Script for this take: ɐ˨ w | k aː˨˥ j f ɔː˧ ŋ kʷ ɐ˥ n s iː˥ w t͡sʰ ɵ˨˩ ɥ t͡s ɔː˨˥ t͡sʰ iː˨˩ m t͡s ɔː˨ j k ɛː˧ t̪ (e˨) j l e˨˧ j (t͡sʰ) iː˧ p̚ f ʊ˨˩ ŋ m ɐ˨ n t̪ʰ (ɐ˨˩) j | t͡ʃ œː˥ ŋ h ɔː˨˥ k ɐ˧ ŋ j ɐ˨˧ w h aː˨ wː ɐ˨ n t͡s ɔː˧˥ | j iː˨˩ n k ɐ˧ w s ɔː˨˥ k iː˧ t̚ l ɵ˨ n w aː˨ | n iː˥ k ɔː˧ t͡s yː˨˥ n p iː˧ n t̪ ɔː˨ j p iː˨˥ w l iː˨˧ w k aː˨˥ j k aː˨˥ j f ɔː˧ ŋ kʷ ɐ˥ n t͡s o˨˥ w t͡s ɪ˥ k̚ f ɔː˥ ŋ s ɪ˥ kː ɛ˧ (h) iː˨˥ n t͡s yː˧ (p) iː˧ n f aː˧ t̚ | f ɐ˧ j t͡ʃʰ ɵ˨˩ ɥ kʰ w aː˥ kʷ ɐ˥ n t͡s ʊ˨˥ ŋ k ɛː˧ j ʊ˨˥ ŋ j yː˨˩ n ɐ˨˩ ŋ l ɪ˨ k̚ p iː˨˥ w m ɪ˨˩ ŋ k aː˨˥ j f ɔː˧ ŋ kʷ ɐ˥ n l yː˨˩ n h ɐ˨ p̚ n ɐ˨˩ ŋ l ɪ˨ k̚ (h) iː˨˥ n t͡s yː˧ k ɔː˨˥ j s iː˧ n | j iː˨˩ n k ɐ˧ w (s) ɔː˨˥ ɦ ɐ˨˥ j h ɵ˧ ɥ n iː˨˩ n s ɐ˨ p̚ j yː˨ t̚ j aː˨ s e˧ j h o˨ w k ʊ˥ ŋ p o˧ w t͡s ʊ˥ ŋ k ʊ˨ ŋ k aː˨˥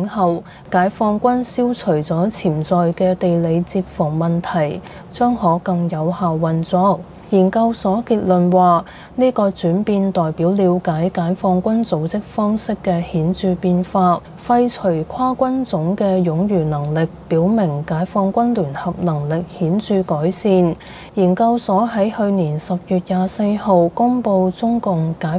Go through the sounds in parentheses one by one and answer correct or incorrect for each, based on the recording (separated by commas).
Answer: correct, incorrect, correct, correct, correct, correct, correct